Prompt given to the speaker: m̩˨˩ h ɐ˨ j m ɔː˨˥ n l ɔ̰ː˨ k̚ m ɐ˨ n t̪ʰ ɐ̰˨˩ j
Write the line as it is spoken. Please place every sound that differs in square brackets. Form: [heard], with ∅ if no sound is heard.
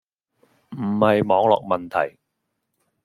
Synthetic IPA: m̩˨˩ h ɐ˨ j m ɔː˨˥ [ŋ] l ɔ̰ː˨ k̚ m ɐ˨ n t̪ʰ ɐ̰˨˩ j